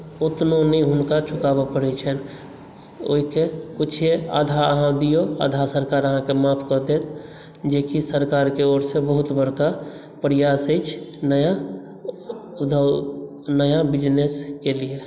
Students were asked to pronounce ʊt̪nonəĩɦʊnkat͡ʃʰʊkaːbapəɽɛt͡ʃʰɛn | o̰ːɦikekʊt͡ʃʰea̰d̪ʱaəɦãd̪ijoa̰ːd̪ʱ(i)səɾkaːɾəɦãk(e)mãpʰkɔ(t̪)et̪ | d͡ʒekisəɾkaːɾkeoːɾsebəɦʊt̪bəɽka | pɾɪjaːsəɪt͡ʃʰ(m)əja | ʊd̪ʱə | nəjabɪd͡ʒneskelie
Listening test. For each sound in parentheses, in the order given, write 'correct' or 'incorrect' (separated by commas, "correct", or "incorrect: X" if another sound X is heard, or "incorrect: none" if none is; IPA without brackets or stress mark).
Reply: incorrect: a, correct, incorrect: d̪, incorrect: n